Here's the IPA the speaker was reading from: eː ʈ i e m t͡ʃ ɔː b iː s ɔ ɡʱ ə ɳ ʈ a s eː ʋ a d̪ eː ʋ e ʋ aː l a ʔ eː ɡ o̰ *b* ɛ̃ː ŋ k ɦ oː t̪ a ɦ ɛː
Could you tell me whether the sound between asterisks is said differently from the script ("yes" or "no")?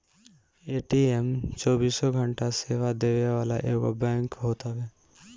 no